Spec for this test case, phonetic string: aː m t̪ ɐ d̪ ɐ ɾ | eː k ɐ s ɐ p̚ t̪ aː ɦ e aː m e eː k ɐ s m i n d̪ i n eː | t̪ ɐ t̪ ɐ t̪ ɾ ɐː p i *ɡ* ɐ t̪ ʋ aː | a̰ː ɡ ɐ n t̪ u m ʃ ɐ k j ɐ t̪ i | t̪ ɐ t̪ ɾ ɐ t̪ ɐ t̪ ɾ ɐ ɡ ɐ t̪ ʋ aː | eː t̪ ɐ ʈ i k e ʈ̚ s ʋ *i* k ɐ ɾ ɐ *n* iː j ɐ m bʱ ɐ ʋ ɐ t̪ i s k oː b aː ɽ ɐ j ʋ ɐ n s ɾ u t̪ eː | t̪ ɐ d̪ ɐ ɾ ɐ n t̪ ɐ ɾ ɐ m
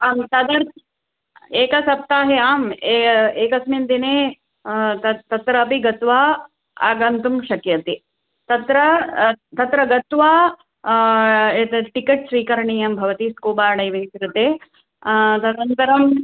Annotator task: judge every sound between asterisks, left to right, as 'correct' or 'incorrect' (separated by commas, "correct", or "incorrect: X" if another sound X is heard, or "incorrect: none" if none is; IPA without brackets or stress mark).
correct, incorrect: iː, incorrect: ɳ